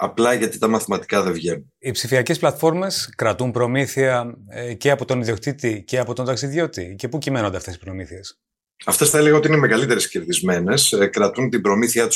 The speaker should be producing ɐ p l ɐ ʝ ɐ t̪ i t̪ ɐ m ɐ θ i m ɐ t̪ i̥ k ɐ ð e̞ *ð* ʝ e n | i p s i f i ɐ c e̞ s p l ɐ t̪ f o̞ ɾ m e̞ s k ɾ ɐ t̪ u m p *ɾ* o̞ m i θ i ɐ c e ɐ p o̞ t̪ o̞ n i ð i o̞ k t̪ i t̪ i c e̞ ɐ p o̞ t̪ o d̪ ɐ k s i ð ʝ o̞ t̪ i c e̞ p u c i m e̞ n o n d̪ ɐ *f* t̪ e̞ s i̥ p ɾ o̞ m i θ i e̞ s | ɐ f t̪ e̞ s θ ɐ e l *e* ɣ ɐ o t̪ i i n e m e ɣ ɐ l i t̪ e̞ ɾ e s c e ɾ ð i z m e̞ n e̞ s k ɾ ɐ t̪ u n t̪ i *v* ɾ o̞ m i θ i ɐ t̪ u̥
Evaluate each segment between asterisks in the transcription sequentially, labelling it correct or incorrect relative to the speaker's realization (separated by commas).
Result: incorrect, correct, correct, correct, incorrect